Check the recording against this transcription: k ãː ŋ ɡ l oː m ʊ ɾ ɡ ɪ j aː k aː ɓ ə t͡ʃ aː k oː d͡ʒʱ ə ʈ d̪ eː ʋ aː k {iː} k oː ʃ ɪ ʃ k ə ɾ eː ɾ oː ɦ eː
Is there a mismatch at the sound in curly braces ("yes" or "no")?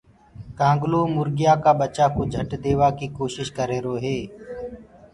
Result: no